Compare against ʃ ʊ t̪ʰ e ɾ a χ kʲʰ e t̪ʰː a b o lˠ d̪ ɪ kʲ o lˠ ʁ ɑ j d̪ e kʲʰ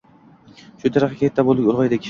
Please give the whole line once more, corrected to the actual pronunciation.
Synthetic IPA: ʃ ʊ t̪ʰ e ɾ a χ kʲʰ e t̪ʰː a b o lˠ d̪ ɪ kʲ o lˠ ʁ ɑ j d̪ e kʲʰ